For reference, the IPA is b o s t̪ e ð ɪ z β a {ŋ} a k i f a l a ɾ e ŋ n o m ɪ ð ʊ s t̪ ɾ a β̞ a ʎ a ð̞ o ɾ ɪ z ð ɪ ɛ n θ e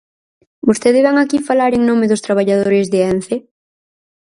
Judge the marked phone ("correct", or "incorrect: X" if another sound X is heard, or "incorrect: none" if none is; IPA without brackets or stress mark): correct